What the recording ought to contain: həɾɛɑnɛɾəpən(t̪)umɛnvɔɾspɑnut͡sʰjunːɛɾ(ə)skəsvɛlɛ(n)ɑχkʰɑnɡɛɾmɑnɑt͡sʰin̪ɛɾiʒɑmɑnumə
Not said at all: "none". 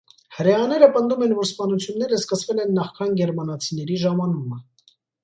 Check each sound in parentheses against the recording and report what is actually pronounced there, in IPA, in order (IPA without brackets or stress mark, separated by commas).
d̪, ə, nː